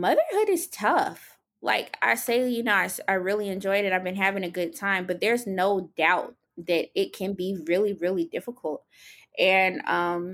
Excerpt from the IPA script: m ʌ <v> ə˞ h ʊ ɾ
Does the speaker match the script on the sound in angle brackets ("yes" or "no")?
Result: no